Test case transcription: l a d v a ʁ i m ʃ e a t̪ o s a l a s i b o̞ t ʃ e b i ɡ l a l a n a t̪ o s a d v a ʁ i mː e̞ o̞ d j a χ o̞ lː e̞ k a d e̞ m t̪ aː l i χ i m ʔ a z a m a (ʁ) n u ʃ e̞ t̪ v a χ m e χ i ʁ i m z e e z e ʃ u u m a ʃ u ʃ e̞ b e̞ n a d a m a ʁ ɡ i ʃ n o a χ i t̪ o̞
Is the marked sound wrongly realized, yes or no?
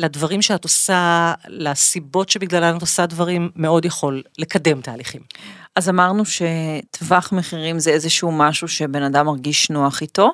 no